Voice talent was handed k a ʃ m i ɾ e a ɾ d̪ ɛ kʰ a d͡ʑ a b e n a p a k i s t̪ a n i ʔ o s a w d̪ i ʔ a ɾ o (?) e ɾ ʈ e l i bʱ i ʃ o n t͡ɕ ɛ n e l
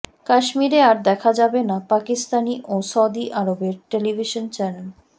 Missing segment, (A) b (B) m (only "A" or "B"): A